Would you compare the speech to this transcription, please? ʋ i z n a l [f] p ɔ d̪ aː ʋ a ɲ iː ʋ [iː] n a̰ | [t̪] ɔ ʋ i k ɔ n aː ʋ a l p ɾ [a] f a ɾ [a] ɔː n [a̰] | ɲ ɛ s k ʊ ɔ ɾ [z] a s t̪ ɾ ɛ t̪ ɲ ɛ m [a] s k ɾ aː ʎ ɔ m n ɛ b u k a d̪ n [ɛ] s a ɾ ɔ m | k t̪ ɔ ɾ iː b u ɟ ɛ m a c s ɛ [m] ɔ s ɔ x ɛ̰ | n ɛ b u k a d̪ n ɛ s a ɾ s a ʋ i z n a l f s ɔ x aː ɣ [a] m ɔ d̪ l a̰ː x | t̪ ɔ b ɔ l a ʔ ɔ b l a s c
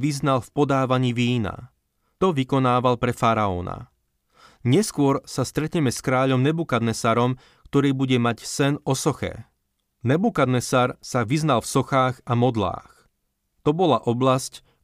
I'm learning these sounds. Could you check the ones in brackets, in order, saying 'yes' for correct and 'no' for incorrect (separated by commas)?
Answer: yes, yes, yes, no, yes, yes, no, no, yes, no, yes